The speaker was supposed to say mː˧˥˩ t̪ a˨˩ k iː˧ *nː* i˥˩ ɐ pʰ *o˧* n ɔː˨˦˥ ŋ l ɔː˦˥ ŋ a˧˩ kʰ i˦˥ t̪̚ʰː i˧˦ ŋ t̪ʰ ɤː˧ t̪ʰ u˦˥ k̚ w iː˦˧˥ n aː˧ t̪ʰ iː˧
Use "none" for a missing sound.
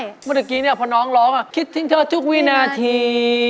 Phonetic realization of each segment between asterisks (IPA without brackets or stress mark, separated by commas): n, ɔ˧